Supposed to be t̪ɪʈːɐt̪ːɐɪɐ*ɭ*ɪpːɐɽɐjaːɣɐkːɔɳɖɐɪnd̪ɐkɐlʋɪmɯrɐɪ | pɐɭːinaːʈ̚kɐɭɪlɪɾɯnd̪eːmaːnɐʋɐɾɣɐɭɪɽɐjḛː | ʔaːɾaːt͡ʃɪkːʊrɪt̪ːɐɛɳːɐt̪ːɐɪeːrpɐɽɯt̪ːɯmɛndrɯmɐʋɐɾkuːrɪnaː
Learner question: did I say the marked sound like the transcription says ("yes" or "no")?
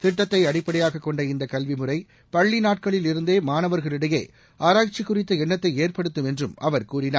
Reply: no